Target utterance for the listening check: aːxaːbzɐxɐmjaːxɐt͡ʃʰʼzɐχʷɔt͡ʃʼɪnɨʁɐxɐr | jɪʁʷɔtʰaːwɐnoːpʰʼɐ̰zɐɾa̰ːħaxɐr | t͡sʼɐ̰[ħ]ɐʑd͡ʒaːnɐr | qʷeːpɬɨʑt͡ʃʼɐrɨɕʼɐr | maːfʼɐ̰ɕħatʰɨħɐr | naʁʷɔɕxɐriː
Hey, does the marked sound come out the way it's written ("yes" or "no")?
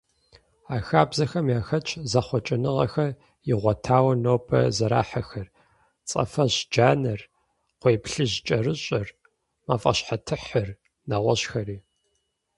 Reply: no